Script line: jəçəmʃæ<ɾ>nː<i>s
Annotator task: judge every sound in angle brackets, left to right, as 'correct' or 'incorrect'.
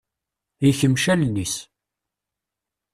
incorrect: l, correct

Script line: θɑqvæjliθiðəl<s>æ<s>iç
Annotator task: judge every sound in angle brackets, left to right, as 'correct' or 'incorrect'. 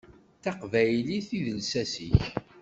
correct, correct

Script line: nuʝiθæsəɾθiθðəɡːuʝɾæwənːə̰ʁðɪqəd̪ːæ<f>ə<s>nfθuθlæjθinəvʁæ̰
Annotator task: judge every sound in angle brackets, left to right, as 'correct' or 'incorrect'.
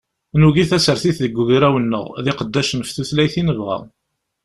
incorrect: ʃ, incorrect: none

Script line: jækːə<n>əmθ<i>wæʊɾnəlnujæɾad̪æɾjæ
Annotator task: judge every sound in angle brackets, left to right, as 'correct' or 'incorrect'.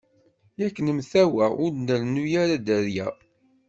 correct, incorrect: æ

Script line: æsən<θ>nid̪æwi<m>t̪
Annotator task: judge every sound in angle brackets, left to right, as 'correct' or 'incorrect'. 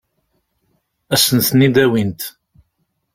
correct, incorrect: n

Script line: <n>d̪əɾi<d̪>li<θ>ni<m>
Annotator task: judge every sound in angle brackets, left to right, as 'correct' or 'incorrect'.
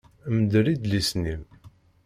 incorrect: m, correct, incorrect: s, correct

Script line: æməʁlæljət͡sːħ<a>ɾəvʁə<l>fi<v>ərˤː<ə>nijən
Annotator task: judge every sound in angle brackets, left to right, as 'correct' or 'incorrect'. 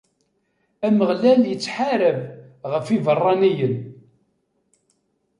correct, incorrect: none, correct, incorrect: ɑ

